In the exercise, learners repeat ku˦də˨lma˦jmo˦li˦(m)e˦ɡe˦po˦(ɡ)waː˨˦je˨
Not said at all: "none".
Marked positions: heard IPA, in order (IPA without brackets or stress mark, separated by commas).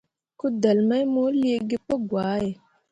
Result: none, ɡ